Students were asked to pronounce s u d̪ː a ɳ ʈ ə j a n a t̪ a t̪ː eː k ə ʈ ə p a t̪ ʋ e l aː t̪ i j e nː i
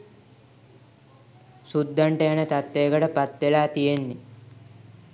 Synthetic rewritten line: s u d̪ː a ɳ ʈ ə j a n ə t̪ a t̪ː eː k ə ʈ ə p a t̪ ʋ e l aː t̪ i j e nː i